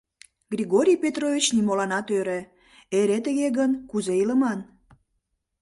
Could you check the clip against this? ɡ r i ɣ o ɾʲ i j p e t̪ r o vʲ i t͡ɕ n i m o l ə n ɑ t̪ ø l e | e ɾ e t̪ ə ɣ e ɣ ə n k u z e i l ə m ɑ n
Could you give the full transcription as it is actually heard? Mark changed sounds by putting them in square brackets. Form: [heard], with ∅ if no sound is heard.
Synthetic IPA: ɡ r i ɣ o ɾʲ i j p e t̪ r o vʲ i t͡ɕ n i m o l [ɑ] n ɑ t̪ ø [ɾ] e | e ɾ e t̪ ə ɣ e ɣ ə n k u z e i l ə m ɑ n